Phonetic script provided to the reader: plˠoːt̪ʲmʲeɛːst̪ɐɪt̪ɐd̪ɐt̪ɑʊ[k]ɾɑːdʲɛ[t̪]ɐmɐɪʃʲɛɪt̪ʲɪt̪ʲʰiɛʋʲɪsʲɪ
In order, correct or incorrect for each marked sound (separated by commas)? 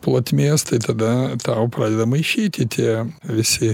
incorrect, incorrect